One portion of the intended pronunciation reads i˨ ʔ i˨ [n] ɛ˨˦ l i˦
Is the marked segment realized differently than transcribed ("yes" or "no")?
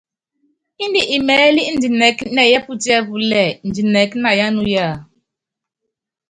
yes